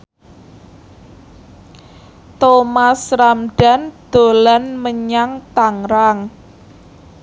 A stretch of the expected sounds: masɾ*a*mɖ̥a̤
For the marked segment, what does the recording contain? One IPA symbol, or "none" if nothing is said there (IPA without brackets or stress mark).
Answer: a